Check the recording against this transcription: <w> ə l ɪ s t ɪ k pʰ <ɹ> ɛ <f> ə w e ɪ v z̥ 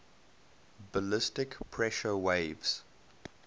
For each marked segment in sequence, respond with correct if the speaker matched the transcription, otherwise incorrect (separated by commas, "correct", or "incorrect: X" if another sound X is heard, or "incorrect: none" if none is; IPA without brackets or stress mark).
incorrect: b, correct, incorrect: ʃ